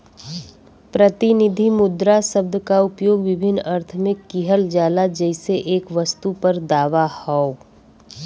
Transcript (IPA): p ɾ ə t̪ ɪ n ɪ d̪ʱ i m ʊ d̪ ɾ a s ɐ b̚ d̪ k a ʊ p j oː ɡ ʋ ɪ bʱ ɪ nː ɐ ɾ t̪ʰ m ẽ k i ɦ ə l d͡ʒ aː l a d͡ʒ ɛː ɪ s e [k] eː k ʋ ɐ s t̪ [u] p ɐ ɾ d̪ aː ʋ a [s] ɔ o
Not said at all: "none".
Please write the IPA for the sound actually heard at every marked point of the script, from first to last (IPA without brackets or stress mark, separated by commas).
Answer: ʔ, u, h